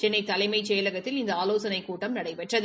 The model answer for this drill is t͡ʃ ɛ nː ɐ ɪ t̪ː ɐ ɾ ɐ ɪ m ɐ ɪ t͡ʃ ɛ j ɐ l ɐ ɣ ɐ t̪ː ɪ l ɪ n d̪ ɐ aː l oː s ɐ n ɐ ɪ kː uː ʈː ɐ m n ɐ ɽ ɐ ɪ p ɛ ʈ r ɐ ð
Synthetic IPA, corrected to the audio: t͡ʃ ɛ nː ɐ ɪ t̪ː ɐ l ɐ ɪ m ɐ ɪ t͡ʃ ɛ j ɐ l ɐ ɣ ɐ t̪ː ɪ l ɪ n d̪ ɐ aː l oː s ɐ n ɐ ɪ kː uː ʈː ɐ m n ɐ ɽ ɐ ɪ p ɛ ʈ r ɐ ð